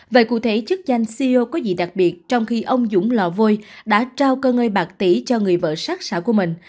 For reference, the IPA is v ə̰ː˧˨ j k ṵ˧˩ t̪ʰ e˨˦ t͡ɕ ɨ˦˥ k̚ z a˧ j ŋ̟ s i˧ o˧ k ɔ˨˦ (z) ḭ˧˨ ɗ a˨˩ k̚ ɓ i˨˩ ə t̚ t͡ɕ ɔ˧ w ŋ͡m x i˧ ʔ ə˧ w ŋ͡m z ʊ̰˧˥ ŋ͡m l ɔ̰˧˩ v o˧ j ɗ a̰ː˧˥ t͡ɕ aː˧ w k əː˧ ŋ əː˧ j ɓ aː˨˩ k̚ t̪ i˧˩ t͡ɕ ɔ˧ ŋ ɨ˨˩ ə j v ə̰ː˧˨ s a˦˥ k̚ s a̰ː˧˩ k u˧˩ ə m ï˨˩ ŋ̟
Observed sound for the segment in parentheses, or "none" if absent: z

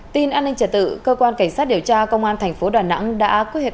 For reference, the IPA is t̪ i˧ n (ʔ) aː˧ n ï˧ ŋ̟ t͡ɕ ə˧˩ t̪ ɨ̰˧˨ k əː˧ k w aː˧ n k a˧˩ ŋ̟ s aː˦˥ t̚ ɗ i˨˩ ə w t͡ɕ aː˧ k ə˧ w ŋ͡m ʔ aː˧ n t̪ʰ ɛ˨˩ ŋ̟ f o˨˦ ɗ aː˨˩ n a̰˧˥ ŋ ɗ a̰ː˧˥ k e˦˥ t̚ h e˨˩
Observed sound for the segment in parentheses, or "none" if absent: ʔ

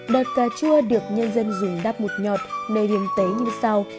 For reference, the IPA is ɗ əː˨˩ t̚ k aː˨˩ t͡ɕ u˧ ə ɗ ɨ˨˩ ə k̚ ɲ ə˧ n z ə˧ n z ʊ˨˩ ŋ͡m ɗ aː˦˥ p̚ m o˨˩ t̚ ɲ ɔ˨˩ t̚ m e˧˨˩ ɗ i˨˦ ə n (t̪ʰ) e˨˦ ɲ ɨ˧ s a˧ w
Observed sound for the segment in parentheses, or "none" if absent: t̪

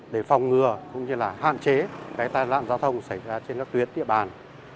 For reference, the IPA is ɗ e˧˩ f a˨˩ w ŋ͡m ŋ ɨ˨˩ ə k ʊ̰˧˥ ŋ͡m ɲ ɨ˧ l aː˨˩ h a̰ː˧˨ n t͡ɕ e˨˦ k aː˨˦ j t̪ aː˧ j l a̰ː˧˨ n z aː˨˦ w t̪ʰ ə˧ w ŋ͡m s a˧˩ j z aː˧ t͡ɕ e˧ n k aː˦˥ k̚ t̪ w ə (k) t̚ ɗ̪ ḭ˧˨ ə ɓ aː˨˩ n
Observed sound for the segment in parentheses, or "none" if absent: none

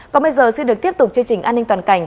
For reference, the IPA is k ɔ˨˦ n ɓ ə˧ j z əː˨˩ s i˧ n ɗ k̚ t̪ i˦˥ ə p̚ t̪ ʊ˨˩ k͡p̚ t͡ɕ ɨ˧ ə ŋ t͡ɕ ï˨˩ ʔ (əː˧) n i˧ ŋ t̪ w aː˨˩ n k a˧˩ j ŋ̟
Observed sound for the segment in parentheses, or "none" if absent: aː˧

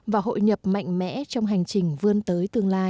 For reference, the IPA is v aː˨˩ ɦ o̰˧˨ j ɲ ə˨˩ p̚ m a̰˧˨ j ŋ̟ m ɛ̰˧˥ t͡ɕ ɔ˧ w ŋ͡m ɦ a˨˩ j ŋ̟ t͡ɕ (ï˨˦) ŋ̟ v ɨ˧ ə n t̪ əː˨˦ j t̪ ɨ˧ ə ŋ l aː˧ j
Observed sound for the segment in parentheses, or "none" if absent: ï˨˩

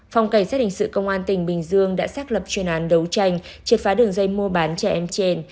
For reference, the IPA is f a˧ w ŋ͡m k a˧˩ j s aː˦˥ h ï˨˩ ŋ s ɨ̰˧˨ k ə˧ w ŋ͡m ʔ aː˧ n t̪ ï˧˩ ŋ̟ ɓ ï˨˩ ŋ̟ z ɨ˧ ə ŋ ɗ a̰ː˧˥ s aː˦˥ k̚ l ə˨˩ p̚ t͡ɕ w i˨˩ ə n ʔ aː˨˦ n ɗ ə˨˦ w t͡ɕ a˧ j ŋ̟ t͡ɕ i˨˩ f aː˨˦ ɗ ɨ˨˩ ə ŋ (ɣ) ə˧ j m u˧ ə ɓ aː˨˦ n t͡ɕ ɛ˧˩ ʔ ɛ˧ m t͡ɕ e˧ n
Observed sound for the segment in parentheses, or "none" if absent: z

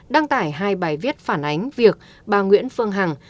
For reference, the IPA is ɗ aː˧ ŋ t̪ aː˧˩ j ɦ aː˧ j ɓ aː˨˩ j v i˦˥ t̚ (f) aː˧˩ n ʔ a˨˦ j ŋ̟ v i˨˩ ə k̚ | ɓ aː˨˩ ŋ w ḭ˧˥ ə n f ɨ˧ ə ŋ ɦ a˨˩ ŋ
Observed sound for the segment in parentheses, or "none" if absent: f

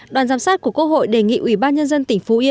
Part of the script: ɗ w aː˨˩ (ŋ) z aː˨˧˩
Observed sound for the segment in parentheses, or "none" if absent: n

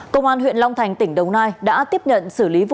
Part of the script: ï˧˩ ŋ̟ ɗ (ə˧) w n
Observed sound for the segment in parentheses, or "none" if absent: ə˨˩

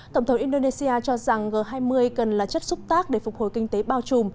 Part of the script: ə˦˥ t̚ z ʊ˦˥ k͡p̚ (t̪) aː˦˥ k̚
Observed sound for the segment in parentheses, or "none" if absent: t̪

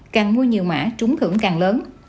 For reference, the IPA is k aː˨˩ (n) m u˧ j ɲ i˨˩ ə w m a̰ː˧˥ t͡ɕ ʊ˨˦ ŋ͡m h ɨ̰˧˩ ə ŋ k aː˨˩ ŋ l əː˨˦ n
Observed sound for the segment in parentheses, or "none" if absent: ŋ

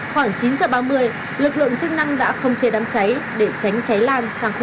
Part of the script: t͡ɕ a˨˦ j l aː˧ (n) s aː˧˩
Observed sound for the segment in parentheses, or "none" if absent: n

